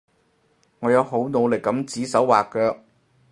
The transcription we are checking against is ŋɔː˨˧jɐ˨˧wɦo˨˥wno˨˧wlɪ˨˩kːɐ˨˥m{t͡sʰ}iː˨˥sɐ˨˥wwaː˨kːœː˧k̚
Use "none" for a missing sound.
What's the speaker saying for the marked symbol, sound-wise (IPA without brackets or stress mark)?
t͡s